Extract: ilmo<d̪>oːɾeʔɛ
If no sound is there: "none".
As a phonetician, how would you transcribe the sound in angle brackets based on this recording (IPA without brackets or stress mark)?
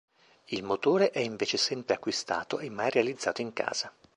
t̪